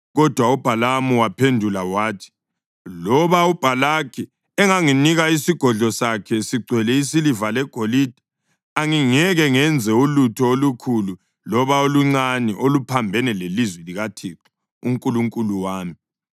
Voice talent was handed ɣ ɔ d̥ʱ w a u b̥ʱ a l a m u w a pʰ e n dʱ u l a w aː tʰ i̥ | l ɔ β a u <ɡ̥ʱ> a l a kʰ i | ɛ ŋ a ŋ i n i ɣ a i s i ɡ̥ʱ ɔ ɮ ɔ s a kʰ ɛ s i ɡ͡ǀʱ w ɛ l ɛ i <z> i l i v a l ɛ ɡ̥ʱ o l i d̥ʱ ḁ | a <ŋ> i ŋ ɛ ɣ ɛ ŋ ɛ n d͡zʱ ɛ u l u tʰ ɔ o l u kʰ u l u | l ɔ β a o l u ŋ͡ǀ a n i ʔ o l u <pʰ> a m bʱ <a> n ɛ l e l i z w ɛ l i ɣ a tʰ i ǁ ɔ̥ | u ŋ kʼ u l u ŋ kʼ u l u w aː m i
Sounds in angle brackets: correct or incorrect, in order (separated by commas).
incorrect, incorrect, correct, correct, incorrect